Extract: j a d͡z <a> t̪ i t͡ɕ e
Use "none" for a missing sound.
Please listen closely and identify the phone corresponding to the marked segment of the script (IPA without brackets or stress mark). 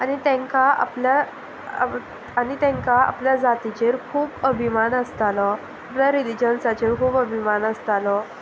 a